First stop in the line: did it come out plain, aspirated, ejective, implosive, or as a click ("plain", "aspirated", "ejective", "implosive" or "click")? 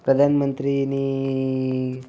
plain